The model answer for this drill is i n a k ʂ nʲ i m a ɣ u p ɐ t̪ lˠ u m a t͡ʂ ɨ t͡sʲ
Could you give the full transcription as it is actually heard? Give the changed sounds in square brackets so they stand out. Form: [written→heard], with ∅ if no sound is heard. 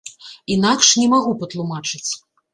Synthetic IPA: i n a k ʂ nʲ [i→ɛ] m a ɣ u p ɐ t̪ lˠ u m a t͡ʂ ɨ t͡sʲ